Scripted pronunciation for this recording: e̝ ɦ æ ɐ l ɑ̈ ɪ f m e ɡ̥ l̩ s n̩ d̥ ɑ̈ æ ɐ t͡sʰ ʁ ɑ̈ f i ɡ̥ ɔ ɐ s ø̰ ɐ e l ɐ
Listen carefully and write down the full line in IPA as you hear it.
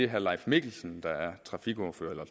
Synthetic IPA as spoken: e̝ ɦ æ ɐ l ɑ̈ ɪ f m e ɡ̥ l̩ s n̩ d̥ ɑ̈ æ ɐ t͡sʰ ʁ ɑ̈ f i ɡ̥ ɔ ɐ f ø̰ ɐ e l ɐ